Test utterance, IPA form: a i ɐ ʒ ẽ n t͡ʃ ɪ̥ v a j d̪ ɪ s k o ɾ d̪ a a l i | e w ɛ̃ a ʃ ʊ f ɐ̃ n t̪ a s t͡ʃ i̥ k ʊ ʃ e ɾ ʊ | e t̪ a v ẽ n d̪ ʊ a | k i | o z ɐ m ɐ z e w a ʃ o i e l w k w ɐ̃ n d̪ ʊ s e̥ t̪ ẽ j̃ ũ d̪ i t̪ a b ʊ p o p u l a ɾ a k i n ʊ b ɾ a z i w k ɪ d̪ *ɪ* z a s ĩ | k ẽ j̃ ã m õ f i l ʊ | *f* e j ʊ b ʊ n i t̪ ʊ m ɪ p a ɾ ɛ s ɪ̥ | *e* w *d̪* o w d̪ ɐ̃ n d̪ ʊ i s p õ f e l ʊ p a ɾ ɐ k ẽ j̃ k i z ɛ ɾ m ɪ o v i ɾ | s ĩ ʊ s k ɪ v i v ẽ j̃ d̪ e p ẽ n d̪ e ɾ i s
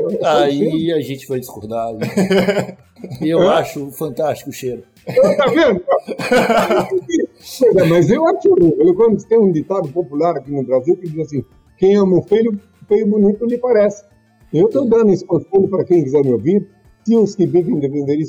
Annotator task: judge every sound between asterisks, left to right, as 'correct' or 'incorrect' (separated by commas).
incorrect, correct, correct, incorrect